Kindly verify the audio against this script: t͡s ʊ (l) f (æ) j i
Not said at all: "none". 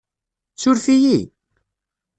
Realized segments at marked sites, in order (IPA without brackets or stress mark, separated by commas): ɾ, i